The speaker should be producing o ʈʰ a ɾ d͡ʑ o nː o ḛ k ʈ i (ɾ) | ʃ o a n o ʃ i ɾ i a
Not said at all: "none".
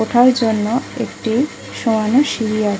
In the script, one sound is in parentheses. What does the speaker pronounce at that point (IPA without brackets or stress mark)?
none